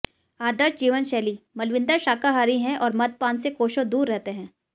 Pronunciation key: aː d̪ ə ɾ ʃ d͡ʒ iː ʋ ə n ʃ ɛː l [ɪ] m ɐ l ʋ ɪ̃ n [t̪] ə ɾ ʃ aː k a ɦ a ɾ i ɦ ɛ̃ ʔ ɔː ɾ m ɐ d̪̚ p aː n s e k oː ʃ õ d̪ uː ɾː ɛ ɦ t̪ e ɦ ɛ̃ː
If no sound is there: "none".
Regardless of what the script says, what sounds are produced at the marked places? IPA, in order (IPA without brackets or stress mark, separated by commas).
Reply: i, d̪